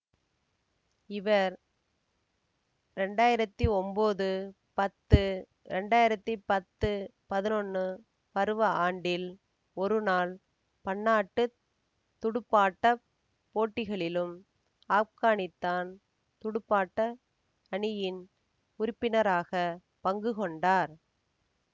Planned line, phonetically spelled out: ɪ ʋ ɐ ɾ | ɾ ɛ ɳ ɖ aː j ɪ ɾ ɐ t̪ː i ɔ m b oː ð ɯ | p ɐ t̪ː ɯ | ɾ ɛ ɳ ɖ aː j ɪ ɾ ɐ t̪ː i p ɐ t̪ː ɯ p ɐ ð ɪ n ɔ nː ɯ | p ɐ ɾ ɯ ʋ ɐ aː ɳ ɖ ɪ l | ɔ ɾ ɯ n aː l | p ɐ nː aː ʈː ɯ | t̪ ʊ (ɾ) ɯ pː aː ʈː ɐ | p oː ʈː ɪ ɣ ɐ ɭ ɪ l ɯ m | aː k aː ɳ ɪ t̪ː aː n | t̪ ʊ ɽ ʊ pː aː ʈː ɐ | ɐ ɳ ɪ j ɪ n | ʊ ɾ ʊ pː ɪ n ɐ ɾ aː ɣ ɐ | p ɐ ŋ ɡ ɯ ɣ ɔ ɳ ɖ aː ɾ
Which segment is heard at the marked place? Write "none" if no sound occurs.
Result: ɽ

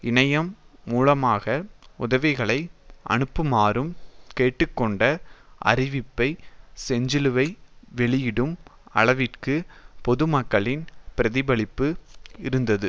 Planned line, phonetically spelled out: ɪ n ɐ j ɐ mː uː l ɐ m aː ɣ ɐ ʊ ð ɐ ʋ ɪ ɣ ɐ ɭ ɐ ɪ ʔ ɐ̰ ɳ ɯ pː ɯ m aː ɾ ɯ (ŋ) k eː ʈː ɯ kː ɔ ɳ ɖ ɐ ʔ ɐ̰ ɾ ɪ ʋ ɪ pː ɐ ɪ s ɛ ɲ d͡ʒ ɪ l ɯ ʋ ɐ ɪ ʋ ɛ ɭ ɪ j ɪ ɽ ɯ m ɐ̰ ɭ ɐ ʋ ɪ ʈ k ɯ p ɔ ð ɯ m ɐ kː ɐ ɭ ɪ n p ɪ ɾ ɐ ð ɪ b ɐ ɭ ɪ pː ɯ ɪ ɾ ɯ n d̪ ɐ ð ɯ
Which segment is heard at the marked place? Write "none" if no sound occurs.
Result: m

